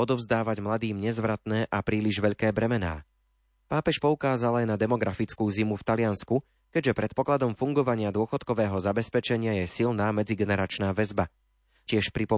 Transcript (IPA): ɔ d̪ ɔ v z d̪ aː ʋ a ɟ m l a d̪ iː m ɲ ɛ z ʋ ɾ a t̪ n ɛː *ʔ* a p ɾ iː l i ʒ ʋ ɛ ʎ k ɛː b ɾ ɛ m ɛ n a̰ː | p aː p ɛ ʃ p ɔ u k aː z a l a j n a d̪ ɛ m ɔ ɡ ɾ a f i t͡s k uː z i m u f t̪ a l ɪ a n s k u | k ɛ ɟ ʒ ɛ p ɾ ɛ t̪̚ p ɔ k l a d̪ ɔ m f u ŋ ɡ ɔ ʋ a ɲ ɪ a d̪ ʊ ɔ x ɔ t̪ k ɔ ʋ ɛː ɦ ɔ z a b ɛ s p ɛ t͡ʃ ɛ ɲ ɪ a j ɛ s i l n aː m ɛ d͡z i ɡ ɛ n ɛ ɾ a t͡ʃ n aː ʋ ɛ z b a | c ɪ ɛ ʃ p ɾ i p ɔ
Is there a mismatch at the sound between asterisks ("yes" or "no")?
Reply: no